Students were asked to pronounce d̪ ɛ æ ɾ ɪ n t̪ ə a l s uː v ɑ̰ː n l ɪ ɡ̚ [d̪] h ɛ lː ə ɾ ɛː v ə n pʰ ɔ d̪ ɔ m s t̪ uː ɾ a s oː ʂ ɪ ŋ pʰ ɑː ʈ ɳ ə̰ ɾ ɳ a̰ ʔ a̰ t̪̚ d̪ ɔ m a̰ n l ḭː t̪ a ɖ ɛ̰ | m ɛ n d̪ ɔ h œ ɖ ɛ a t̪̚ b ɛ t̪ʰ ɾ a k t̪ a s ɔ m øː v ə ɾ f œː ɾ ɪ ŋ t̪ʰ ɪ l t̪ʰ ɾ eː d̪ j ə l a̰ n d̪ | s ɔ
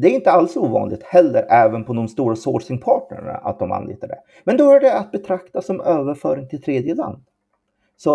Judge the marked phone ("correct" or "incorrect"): incorrect